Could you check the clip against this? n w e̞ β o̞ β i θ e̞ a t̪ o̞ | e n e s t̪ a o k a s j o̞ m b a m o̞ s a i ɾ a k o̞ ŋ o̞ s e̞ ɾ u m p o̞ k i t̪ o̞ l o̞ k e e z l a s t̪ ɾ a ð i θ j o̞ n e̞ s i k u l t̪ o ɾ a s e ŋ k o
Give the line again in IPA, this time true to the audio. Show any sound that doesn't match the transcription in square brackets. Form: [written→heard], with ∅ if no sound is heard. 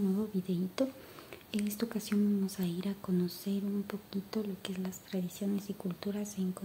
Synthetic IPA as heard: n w e̞ β o̞ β i [θ→ð] e̞ [a→i] t̪ o̞ | e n e s t̪ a o k a s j o̞ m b a m o̞ s a i ɾ a k o̞ [ŋ→n] o̞ s e̞ ɾ u m p o̞ k i t̪ o̞ l o̞ k e e z l a s t̪ ɾ a ð i [θ→s] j o̞ n e̞ s i k u l t̪ [o→u] ɾ a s e ŋ k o